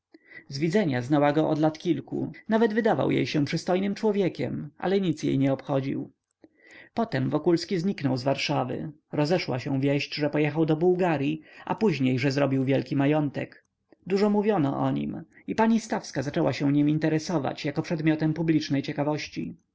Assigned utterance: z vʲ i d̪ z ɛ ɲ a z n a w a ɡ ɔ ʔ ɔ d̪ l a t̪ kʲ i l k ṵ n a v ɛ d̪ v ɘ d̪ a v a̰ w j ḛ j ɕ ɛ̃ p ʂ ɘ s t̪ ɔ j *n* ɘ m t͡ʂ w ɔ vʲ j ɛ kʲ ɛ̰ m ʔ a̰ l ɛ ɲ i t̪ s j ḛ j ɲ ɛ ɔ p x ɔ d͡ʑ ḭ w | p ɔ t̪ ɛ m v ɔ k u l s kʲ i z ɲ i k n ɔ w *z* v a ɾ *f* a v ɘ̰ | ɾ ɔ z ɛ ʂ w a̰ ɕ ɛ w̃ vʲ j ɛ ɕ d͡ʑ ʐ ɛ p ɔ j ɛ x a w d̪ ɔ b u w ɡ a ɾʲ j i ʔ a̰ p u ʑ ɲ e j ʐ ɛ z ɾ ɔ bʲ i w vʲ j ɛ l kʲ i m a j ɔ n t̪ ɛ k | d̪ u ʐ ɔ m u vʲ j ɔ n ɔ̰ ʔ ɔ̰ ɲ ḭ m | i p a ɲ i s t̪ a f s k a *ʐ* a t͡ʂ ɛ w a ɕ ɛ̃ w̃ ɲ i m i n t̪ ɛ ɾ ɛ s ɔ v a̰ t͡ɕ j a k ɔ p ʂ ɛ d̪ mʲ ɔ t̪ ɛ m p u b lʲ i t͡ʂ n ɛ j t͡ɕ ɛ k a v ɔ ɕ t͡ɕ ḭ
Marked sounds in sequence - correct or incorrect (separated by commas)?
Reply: correct, correct, incorrect, incorrect